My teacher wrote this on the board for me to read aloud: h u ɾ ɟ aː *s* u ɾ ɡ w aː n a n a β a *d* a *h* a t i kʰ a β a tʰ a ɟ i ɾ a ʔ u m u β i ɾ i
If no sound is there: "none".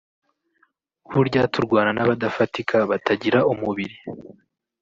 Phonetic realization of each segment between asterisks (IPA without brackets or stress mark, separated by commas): t, d, f